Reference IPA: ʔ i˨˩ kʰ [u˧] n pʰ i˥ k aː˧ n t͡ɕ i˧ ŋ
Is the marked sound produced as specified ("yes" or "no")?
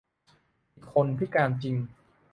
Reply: no